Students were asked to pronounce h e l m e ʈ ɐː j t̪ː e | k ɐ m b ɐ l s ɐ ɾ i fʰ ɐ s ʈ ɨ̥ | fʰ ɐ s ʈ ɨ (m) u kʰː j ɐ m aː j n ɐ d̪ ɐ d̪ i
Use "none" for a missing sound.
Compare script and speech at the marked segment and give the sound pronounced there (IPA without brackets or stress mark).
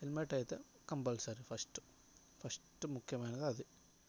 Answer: m